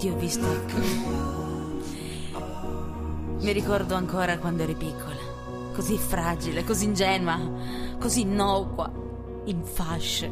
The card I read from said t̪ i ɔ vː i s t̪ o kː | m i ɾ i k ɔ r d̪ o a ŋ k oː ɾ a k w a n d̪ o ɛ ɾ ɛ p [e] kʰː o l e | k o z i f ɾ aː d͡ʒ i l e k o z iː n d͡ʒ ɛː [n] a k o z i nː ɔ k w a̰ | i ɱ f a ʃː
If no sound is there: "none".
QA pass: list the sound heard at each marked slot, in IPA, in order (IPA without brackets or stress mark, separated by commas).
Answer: i, n